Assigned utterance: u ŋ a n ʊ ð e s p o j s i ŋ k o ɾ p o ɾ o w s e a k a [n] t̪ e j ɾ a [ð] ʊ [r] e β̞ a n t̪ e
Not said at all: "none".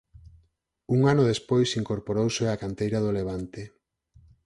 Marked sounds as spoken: n, ð, l

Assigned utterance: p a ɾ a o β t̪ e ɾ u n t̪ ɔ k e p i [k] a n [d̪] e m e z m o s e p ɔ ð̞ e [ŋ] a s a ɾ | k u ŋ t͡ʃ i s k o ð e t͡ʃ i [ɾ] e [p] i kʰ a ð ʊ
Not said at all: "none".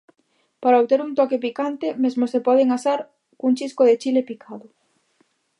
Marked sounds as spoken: k, t̪, ŋ, l, p

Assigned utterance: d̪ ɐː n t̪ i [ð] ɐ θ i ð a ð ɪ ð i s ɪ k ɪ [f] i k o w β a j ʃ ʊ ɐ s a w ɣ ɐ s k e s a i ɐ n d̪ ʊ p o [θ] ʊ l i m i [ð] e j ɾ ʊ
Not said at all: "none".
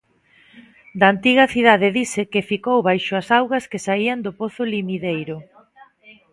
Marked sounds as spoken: ɣ, f, θ, ð

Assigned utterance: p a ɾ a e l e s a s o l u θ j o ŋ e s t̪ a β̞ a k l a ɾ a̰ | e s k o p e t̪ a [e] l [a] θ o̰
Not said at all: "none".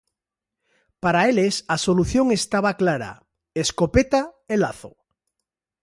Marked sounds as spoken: e, a

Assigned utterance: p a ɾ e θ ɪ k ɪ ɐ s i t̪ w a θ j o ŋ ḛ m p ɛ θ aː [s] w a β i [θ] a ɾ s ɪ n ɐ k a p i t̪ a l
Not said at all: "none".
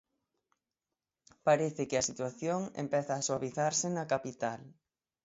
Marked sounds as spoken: s, θ

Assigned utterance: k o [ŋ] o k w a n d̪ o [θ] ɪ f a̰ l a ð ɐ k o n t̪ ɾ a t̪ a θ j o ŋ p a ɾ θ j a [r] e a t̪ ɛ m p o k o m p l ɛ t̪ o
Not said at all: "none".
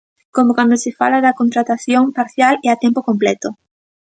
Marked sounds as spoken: m, s, l

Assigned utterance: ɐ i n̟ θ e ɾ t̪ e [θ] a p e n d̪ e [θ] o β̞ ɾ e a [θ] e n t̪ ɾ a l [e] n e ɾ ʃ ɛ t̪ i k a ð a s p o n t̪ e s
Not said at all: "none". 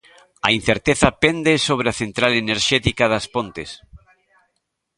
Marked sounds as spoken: θ, s, θ, e

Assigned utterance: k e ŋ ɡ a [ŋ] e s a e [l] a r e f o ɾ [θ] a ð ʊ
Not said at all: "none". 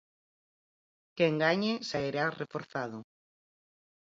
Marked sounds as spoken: ɲ, ɾ, θ

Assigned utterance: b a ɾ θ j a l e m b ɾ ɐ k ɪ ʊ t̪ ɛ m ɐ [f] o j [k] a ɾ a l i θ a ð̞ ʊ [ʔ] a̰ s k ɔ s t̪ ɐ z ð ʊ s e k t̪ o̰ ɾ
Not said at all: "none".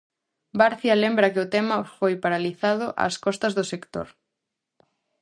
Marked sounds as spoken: f, p, ʔ

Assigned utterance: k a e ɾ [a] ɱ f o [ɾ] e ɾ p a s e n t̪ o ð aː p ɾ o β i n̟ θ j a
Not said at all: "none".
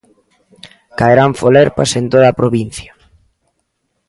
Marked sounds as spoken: a, l

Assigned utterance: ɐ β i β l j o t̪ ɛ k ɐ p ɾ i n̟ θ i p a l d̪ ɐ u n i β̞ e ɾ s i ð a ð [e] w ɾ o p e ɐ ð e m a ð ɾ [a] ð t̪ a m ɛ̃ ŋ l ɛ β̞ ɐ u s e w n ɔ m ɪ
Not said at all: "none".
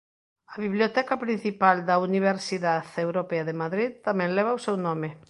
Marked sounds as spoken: e, i

